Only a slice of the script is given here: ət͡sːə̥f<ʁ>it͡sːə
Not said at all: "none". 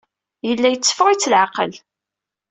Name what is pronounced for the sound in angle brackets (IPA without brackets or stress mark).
ʁ